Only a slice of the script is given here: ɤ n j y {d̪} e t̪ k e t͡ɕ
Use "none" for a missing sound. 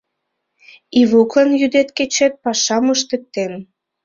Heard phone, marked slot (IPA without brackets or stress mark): d̪